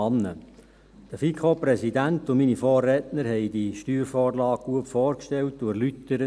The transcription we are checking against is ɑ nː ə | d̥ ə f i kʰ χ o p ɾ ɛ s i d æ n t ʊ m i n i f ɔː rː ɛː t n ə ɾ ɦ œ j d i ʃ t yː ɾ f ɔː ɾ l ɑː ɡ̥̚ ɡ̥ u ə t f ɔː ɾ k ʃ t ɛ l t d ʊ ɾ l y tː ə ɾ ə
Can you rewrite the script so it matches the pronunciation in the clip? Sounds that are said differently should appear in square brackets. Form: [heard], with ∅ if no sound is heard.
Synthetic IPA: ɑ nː ə | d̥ ə f i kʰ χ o p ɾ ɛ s i d æ n t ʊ m i n i f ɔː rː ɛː t n ə ɾ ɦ [ɛ] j d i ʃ t yː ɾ f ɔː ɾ l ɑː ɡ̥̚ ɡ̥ u ə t f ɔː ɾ k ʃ t ɛ l t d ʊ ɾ l y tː ə ɾ ə